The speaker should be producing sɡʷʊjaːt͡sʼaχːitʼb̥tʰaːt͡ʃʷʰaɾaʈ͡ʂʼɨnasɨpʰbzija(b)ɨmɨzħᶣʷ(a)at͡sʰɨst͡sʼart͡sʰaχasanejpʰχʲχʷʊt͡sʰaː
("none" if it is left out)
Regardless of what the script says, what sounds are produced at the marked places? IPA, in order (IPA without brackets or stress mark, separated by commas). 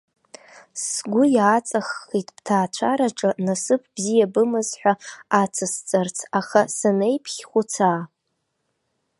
b, a